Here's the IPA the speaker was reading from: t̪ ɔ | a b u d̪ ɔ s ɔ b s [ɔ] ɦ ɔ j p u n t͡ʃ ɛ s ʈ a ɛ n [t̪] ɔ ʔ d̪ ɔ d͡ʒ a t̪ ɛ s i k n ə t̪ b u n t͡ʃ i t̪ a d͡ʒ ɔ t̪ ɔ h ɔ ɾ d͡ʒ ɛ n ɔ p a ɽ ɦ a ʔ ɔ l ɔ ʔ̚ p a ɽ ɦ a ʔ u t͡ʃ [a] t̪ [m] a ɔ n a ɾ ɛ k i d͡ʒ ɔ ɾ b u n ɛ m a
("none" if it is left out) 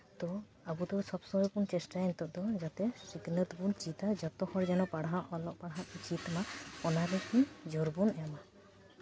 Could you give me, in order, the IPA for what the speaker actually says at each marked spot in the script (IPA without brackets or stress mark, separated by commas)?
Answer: ɔ, t̪, i, m